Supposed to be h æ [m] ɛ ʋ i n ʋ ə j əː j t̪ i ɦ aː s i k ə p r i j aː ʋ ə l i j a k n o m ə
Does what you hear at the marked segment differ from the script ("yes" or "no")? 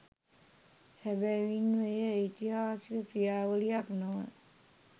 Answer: yes